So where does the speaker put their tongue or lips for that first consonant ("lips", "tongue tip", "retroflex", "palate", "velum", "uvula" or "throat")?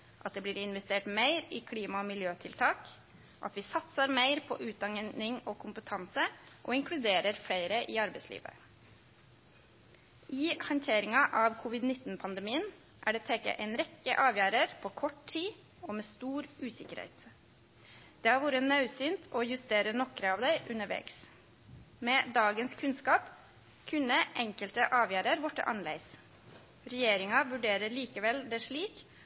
throat